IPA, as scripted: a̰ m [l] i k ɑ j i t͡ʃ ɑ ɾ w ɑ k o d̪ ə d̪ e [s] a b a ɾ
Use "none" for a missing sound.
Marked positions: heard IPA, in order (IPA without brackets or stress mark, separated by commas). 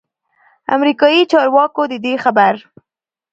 ɾ, x